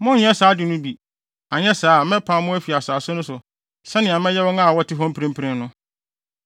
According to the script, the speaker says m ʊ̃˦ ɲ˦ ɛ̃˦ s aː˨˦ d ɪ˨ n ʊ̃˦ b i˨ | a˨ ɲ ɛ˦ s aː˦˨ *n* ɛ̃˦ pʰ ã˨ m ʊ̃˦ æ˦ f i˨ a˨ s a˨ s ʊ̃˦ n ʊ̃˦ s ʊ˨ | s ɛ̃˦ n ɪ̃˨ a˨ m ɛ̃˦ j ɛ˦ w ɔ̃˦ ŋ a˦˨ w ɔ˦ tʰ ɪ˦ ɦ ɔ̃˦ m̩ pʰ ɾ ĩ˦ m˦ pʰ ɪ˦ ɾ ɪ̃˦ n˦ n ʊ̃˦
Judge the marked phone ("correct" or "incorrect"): incorrect